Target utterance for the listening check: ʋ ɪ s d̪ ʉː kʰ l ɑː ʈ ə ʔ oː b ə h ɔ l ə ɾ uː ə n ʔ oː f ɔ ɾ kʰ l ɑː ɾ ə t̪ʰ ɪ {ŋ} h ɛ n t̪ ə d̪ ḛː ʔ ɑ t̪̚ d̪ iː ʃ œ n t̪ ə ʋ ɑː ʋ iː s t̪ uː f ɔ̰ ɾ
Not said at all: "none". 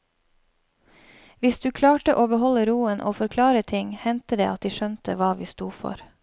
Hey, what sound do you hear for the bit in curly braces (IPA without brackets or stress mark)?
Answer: ŋ